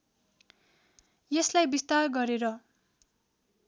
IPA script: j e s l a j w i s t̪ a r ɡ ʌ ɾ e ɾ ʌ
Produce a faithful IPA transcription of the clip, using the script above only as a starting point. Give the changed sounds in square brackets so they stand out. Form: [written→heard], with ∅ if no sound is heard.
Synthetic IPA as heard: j e s l a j [w→b] i s t̪ a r ɡ ʌ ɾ e ɾ ʌ